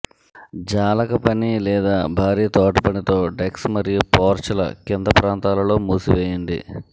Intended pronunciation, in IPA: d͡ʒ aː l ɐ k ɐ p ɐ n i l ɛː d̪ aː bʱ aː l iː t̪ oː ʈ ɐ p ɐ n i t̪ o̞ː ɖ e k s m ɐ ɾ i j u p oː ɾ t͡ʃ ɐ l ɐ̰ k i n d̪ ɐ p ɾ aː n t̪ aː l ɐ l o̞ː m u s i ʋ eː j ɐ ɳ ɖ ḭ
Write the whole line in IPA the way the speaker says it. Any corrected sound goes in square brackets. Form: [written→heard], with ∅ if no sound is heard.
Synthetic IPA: d͡ʒ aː l ɐ k ɐ p ɐ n i l ɛː d̪ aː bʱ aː [l→ɾ] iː t̪ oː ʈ ɐ p ɐ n i t̪ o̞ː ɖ e k s m ɐ ɾ i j u p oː ɾ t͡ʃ ɐ l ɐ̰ k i n d̪ ɐ p ɾ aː n t̪ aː l ɐ l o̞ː m [u→uː] s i ʋ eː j ɐ ɳ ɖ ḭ